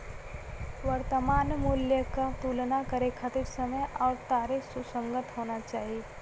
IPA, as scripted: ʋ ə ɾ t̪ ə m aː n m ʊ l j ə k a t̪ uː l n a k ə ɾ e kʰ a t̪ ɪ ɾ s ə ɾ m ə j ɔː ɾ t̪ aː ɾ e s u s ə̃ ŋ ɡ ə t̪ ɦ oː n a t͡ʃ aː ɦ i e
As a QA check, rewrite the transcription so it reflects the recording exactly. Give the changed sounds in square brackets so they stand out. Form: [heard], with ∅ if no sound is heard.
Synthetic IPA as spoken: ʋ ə ɾ t̪ ə m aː n m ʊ l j ə k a t̪ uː l n a k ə ɾ e kʰ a t̪ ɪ ɾ s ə [∅] m ə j ɔː ɾ t̪ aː ɾ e s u s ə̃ ŋ ɡ ə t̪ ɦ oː n a t͡ʃ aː ɦ i e

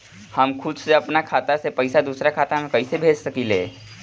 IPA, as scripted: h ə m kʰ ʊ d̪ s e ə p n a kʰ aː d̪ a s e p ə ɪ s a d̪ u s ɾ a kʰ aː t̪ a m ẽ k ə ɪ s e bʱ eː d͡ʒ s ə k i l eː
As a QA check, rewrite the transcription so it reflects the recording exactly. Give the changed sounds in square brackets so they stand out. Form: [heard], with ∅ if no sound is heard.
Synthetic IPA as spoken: h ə m kʰ ʊ d̪ s e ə p n a kʰ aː [t̪] a s e p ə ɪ s a d̪ u s ɾ a kʰ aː t̪ a m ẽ k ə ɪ s e bʱ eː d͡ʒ s ə k i l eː

